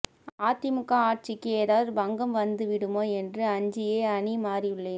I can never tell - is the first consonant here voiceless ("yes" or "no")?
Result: yes